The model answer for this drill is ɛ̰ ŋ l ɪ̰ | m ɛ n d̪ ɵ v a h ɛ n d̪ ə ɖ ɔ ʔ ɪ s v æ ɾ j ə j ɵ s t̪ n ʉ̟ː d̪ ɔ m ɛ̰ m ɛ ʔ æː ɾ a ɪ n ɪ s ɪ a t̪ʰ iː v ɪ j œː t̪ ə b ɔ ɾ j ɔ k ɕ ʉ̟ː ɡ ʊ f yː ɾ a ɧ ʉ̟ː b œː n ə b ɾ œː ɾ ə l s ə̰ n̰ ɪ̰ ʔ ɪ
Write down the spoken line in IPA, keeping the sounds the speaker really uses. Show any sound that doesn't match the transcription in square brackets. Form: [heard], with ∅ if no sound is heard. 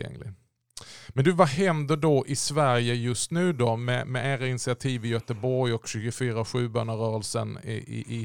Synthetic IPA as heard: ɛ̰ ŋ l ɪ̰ | m ɛ n d̪ ɵ v a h ɛ n d̪ ə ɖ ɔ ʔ ɪ s v æ ɾ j ə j ɵ s t̪ n ʉ̟ː d̪ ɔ m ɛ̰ m ɛ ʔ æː ɾ a ɪ n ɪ s ɪ a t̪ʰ iː v ɪ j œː t̪ ə b ɔ ɾ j ɔ k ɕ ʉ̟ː ɡ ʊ f yː ɾ a ɧ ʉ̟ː b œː n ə [∅] ɾ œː ɾ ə l s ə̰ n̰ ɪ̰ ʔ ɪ